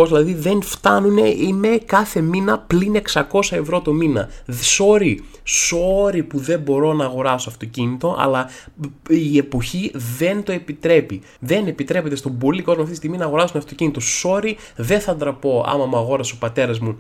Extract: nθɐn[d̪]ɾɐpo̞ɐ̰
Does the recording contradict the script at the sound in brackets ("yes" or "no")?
no